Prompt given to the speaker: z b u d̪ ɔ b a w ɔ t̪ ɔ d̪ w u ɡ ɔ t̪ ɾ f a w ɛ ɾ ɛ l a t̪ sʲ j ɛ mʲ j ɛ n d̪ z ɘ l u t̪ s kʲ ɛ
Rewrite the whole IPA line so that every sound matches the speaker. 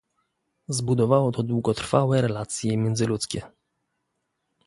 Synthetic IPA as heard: z b u d̪ ɔ v a w ɔ t̪ ɔ d̪ w u ɡ ɔ t̪ ɾ f a w ɛ ɾ ɛ l a t̪ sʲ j ɛ mʲ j ɛ n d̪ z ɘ l u t̪ s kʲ ɛ

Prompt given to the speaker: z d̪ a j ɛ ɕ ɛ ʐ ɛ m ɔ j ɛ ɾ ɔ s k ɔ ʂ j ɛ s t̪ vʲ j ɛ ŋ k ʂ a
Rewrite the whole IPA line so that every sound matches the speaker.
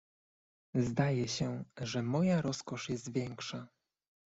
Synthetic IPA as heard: z d̪ a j ɛ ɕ ɛ ʐ ɛ m ɔ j a ɾ ɔ s k ɔ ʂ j ɛ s t̪ vʲ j ɛ ŋ k ʂ a

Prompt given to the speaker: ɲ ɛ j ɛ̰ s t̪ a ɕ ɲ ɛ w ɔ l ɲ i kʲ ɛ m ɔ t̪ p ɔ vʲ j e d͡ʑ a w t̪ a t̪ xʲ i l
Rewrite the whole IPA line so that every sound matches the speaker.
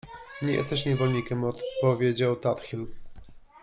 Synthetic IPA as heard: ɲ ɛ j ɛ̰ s t̪ ɛ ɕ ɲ ɛ v ɔ l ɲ i kʲ ɛ m ɔ t̪ p ɔ vʲ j e d͡ʑ a w t̪ a t̪ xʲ i l

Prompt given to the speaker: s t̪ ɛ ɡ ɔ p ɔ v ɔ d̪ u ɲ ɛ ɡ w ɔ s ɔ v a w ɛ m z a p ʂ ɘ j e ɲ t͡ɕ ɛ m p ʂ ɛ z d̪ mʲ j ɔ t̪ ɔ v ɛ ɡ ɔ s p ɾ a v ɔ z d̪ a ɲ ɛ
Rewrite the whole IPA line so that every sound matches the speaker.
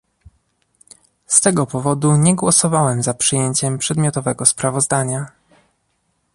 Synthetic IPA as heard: s t̪ ɛ ɡ ɔ p ɔ v ɔ d̪ u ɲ ɛ ɡ w ɔ s ɔ v a w ɛ m z a p ʂ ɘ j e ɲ t͡ɕ ɛ m p ʂ ɛ d̪ mʲ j ɔ t̪ ɔ v ɛ ɡ ɔ s p ɾ a v ɔ z d̪ a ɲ a

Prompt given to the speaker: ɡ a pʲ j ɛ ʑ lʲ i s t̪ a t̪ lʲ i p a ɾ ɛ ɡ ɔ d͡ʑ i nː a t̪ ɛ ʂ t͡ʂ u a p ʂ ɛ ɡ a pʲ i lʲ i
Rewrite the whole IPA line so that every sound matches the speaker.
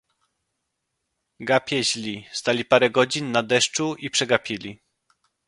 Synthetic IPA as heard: ɡ a pʲ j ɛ ʑ lʲ i s t̪ a lʲ i p a ɾ ɛ ɡ ɔ d͡ʑ i nː a d̪ ɛ ʂ t͡ʂ u i p ʂ ɛ ɡ a pʲ i lʲ i

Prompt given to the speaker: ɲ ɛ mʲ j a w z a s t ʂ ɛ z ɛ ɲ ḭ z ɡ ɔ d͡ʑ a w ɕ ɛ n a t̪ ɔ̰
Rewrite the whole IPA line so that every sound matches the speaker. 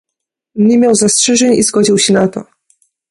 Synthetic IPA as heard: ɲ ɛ mʲ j a w z a s t ʂ ɛ ʐ ɛ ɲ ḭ z ɡ ɔ d͡ʑ i w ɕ ɛ n a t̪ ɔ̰

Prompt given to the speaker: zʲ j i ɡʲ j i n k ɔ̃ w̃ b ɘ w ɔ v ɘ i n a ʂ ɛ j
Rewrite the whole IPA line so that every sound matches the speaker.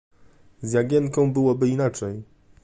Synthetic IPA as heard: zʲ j a ɡʲ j ɛ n k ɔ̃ w̃ b ɘ w ɔ b ɘ i n a t͡ʂ ɛ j

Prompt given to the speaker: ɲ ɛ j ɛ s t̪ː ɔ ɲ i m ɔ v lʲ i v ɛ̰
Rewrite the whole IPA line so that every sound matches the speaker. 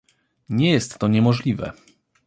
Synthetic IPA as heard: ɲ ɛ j ɛ s t̪ː ɔ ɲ ɛ m ɔ ʐ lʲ i v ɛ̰

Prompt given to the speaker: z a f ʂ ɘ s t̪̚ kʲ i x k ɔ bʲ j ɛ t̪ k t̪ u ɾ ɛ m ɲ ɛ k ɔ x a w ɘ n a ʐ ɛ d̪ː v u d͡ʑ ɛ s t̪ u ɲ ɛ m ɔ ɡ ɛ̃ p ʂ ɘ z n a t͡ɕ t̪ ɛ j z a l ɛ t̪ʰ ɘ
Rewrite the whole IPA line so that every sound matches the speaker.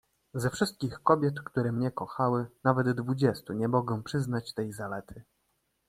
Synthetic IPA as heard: z ɛ f ʂ ɘ s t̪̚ kʲ i x k ɔ bʲ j ɛ t̪ k t̪ u ɾ ɛ m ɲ ɛ k ɔ x a w ɘ n a v ɛ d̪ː v u d͡ʑ ɛ s t̪ u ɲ ɛ m ɔ ɡ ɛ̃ p ʂ ɘ z n a t͡ɕ t̪ ɛ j z a l ɛ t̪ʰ ɘ

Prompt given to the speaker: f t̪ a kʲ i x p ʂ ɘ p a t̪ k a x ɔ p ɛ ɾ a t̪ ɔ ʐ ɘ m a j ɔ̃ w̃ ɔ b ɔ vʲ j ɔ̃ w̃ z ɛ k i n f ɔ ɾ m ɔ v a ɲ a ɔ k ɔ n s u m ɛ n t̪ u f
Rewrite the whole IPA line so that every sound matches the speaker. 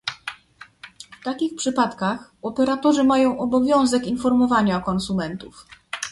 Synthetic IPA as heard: f t̪ a kʲ i x p ʂ ɘ p a t̪ k a x ɔ p ɛ ɾ a t̪ ɔ ʐ ɘ m a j ɔ̃ w̃ ɔ b ɔ vʲ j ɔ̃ w̃ z ɛ k i n f ɔ ɾ m ɔ v a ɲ a ɔ k ɔ n s u m ɛ n t̪ u f

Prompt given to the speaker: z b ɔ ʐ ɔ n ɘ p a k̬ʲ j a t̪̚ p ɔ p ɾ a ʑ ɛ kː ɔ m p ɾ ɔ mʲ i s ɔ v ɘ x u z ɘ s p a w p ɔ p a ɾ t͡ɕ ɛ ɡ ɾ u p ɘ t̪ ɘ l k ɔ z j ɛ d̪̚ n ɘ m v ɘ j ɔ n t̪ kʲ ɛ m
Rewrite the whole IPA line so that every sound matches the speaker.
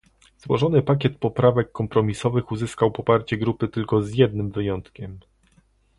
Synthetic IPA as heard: z w ɔ ʐ ɔ n ɘ p a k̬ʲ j ɛ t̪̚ p ɔ p ɾ a v ɛ kː ɔ m p ɾ ɔ mʲ i s ɔ v ɘ x u z ɘ s k a w p ɔ p a ɾ t͡ɕ ɛ ɡ ɾ u p ɘ t̪ ɘ l k ɔ z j ɛ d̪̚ n ɘ m v ɘ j ɔ n t̪ kʲ ɛ m

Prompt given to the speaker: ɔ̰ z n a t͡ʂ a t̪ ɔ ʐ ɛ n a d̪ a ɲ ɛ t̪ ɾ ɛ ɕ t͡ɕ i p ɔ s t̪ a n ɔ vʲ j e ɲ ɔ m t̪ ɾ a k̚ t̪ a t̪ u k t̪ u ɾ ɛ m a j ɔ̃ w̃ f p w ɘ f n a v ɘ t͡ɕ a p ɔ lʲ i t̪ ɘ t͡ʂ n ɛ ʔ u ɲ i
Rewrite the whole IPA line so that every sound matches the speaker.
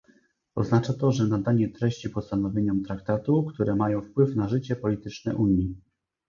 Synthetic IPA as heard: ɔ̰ z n a t͡ʂ a t̪ ɔ ʐ ɛ n a d̪ a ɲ ɛ t̪ ɾ ɛ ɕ t͡ɕ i p ɔ s t̪ a n ɔ vʲ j e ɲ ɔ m t̪ ɾ a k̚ t̪ a t̪ u k t̪ u ɾ ɛ m a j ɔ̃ w̃ f p w ɘ f n a ʐ ɘ t͡ɕ ɛ p ɔ lʲ i t̪ ɘ t͡ʂ n ɛ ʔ u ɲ i

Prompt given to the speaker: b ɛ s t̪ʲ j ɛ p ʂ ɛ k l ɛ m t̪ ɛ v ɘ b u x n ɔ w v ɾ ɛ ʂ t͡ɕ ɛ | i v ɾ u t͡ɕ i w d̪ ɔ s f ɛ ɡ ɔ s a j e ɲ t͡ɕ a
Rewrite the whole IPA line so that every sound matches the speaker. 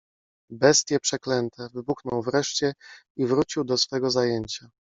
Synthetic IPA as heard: b ɛ s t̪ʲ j ɛ p ʂ ɛ k l ɛ n t̪ ɛ v ɘ b u x n ɔ w v ɾ ɛ ʂ t͡ɕ ɛ | i v ɾ u t͡ɕ i w d̪ ɔ s f ɛ ɡ ɔ z a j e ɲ t͡ɕ a

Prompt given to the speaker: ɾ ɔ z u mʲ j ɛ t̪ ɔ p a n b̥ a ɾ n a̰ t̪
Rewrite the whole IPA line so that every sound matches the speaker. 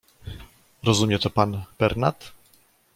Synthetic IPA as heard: ɾ ɔ z u mʲ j ɛ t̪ ɔ p a n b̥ ɛ ɾ n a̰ t̪

